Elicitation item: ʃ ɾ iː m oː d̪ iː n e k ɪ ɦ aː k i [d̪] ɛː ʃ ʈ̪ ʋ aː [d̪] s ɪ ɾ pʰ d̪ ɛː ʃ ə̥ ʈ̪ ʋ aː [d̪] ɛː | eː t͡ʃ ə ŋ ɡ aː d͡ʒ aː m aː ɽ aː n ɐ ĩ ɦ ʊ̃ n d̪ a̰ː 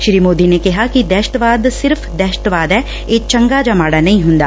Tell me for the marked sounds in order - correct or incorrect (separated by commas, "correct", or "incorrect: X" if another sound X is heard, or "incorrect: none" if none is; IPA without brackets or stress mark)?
correct, correct, correct